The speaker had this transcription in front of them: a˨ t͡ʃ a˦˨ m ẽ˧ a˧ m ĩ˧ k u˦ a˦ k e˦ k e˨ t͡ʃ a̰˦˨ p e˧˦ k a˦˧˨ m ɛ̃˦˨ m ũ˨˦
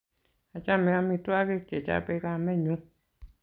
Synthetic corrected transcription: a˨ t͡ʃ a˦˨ m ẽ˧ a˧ m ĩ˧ t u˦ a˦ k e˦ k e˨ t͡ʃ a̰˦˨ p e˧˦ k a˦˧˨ m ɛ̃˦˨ ɲ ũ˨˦